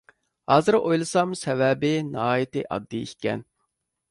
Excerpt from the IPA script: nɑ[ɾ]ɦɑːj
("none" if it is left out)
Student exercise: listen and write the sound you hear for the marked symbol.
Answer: none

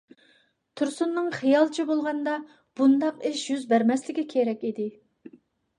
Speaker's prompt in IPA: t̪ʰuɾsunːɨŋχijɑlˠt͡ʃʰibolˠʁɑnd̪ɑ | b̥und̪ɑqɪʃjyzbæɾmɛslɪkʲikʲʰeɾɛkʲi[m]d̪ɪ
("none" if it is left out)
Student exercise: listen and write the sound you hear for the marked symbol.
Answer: none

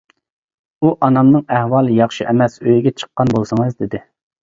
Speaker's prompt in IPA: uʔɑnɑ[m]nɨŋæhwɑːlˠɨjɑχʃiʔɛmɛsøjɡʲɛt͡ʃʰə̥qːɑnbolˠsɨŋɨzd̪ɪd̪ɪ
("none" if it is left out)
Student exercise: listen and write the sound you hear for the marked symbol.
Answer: m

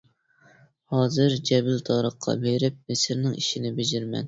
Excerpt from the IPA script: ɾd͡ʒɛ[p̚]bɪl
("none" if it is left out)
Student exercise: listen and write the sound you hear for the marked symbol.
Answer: none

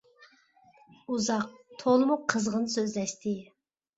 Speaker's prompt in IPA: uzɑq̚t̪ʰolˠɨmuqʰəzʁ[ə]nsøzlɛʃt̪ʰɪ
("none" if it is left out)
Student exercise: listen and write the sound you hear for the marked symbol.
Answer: ə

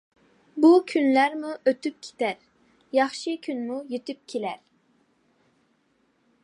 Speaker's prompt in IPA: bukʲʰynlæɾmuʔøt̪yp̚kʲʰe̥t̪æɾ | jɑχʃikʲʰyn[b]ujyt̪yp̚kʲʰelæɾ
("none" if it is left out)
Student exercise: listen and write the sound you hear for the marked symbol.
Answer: m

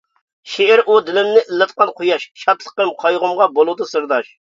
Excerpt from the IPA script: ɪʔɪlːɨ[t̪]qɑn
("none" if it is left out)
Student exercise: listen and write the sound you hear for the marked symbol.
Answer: t̪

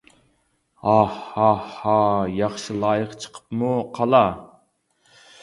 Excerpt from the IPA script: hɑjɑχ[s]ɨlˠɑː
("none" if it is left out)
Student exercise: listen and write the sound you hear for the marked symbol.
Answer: ʃ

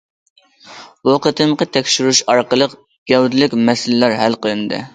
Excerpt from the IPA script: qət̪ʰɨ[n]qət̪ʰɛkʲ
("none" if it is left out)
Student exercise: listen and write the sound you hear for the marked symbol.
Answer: m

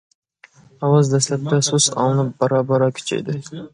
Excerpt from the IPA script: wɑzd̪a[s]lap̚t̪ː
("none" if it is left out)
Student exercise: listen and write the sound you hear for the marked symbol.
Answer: s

